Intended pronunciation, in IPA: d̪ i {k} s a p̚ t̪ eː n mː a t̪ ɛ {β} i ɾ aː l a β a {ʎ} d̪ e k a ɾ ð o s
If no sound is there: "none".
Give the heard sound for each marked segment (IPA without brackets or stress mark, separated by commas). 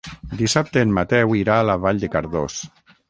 none, w, ʎ